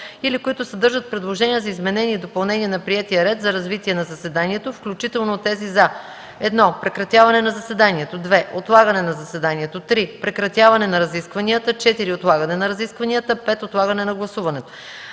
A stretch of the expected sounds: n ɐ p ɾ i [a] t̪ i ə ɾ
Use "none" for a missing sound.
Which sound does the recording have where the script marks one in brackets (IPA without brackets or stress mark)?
ɛ